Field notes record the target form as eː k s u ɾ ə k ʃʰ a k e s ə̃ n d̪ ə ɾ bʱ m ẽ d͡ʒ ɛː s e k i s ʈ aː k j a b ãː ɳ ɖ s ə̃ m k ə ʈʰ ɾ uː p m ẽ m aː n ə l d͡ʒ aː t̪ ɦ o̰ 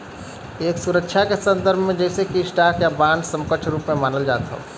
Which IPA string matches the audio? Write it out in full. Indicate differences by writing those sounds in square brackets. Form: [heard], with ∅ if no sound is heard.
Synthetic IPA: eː k s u ɾ ə k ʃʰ a k e s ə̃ n d̪ ə ɾ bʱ m ẽ d͡ʒ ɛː s e k i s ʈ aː k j a b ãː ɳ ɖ s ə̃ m k ə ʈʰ ɾ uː p m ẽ m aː n ə l d͡ʒ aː t̪ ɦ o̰